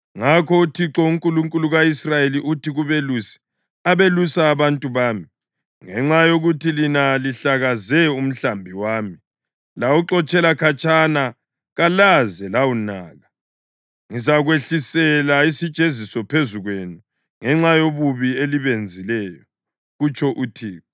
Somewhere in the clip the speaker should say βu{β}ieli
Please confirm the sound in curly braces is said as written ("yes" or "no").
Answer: yes